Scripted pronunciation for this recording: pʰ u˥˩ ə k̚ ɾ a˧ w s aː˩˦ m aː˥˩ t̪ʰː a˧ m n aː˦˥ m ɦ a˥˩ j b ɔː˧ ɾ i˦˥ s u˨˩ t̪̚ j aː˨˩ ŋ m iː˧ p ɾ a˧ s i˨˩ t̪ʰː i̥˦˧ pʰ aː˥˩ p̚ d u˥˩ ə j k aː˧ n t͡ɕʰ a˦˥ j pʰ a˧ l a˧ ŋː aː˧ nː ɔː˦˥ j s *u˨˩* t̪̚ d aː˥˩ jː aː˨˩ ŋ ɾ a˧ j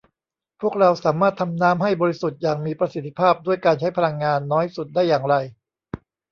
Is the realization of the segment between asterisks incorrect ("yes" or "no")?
no